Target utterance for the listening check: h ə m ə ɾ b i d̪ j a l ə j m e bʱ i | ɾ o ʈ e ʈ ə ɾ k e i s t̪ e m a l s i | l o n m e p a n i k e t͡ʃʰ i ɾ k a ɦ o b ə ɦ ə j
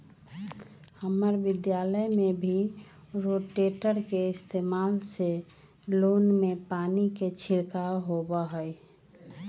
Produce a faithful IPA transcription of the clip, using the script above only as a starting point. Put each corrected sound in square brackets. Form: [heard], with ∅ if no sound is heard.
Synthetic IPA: h ə m ə ɾ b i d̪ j a l ə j m e bʱ i | ɾ o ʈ e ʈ ə ɾ k e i s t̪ e m a l s [e] | l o n m e p a n i k e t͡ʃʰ i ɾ k a ɦ o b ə ɦ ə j